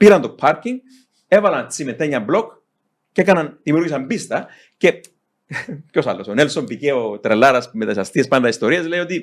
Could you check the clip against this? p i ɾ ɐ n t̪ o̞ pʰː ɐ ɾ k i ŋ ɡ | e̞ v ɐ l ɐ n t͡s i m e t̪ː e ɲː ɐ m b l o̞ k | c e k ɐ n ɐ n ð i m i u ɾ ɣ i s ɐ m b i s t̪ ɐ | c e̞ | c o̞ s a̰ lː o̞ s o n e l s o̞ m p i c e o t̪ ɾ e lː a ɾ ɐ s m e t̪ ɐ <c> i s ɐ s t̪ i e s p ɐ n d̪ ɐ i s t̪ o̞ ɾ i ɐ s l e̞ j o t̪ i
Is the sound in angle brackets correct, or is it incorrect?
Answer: incorrect